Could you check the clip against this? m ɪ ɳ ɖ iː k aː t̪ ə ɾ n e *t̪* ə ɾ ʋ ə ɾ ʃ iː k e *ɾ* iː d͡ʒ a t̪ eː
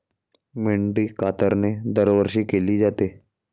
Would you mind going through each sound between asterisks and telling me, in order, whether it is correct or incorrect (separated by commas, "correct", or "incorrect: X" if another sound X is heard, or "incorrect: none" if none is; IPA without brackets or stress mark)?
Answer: incorrect: d̪, incorrect: l